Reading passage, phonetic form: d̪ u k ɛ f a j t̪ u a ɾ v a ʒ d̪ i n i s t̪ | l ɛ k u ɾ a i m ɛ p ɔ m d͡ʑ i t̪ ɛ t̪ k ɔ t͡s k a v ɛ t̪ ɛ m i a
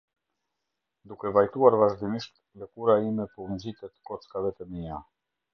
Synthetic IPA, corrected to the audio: d̪ u k ɛ v a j t̪ u a ɾ v a ʒ d̪ i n i ʃ t̪ | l ɛ k u ɾ a i m ɛ p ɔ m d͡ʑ i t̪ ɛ t̪ k ɔ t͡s k a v ɛ t̪ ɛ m i a